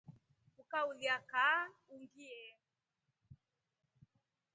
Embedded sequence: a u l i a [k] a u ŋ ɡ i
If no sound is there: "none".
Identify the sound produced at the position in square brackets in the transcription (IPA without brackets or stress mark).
k